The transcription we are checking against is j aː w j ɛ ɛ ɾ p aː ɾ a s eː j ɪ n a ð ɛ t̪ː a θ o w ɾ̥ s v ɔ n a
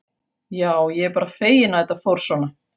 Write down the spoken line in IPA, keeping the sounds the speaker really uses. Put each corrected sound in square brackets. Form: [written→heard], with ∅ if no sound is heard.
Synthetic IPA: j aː w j ɛ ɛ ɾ p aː ɾ a [s→f] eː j ɪ n a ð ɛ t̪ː a [θ→f] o w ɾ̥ s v ɔ n a